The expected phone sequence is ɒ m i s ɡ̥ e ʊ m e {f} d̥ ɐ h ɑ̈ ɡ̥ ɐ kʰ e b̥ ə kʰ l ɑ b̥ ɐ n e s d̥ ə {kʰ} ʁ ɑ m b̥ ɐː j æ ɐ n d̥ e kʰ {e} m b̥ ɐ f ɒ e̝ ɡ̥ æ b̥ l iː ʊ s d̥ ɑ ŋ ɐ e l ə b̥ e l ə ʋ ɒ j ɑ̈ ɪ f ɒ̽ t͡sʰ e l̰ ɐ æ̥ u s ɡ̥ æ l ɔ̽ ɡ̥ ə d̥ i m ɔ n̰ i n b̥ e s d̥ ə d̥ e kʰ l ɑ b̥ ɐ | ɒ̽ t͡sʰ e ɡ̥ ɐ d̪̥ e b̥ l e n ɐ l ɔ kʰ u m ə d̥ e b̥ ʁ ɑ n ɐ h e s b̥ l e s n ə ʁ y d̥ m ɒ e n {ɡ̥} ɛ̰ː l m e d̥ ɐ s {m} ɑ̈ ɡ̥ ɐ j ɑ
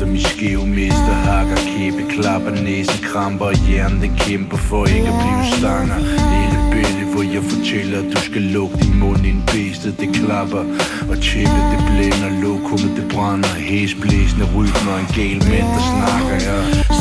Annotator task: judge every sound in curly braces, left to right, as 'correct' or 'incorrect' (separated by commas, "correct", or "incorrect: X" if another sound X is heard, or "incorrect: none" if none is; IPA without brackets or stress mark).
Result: incorrect: s, correct, correct, correct, incorrect: n